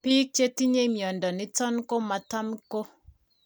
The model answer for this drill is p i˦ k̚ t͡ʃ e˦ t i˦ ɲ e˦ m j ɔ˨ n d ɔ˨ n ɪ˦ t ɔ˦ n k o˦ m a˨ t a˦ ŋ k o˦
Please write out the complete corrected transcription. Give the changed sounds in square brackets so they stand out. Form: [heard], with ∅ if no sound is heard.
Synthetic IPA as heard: p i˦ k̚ t͡ʃ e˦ t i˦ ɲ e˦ m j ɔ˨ n d ɔ˨ n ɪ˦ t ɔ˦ n k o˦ m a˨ t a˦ [m] k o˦